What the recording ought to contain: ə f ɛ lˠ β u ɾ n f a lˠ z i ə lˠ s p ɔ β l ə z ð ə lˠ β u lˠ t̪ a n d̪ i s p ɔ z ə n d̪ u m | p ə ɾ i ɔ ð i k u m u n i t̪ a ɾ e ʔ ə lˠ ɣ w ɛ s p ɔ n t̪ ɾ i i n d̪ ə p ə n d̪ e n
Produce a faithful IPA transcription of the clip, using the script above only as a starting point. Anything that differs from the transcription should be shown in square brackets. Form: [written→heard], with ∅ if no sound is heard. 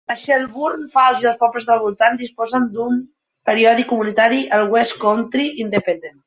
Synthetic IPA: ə [f→ʃ] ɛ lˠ β u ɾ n f a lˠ z i ə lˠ s p ɔ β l ə z ð ə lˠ β u lˠ t̪ a n d̪ i s p ɔ z ə n d̪ u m | p ə ɾ i ɔ ð i k u m u n i t̪ a ɾ [e→i] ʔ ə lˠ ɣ w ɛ s [p→k] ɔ n t̪ ɾ i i n d̪ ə p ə n d̪ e n